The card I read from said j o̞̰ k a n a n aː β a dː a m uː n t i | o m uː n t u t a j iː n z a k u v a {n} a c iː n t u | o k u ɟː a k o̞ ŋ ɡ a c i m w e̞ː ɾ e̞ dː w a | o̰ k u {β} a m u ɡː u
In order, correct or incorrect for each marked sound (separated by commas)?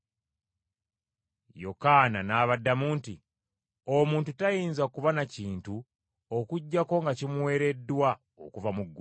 correct, incorrect